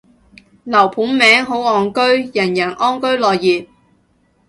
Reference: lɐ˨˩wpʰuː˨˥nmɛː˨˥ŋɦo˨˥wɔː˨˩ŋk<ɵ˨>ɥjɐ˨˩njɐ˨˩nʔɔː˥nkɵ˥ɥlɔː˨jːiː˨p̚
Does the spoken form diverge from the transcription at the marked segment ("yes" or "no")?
yes